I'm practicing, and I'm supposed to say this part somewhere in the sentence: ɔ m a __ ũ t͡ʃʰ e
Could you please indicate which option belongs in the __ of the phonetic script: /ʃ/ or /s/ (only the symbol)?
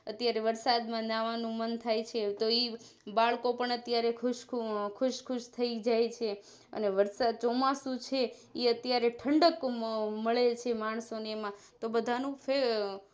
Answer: s